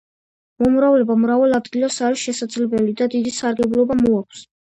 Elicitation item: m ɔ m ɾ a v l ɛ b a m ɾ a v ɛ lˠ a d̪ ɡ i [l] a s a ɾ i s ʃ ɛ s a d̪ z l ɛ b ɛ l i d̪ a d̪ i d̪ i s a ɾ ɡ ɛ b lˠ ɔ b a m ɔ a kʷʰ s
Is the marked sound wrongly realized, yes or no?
no